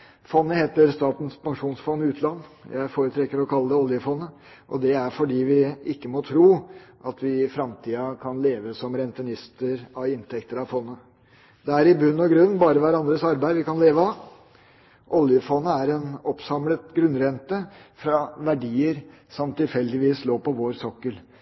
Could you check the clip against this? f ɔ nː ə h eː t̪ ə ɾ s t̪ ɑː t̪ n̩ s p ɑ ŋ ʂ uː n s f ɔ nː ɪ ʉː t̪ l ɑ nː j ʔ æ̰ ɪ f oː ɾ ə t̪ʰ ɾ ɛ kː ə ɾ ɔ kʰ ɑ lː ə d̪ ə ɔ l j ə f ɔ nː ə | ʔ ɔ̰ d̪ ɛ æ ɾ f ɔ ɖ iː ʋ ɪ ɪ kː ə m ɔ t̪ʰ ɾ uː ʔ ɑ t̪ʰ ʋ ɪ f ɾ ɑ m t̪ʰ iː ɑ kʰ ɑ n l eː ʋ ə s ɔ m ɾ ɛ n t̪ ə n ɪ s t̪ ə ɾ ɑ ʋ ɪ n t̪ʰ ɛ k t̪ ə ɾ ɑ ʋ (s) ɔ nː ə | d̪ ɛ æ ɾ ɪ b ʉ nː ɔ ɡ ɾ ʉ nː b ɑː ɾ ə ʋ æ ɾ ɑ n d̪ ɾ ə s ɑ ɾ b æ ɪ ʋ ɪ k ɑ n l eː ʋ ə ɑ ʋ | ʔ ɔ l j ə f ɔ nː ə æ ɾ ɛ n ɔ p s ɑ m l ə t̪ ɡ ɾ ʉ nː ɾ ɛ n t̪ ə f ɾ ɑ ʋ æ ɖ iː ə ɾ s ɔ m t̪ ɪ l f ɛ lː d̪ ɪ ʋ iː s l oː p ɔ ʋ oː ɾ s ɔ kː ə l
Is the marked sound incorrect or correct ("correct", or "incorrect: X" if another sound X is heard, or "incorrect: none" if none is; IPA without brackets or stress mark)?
incorrect: f